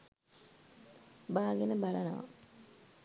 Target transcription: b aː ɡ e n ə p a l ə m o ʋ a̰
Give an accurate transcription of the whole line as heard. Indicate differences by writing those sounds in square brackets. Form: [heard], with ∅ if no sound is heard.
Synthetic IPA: b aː ɡ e n ə [b] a l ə [n] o ʋ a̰